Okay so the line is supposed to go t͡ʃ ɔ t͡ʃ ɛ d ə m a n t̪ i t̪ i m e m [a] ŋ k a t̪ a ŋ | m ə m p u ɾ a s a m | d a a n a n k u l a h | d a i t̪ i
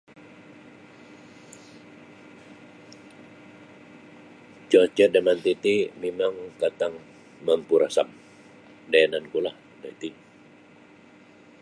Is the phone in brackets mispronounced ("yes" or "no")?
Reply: no